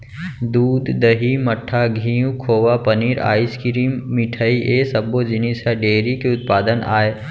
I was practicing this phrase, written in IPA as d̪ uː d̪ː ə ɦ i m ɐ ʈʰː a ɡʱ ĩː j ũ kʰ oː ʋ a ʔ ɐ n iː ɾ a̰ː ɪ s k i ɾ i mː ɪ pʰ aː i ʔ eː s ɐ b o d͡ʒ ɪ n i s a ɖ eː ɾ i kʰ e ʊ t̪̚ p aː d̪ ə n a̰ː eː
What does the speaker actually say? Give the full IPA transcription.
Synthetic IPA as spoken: d̪ uː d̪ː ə ɦ i m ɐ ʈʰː a ɡʱ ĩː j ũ kʰ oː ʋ a p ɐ n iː ɾ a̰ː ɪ s k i ɾ i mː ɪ ʈʰ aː i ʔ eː s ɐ b o d͡ʒ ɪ n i s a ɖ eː ɾ i k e ʊ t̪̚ p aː d̪ ə n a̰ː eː